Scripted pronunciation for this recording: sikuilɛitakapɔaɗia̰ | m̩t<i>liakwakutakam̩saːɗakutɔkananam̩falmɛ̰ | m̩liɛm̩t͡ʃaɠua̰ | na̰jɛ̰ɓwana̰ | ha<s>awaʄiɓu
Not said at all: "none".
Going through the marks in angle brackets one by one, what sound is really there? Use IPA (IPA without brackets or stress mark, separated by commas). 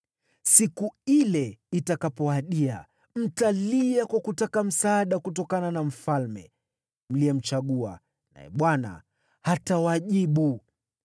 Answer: a, t